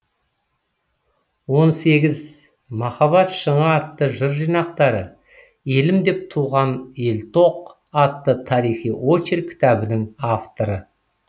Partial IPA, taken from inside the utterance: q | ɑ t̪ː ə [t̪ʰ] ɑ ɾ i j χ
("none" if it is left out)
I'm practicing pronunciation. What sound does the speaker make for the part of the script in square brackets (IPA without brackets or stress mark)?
t̪ʰ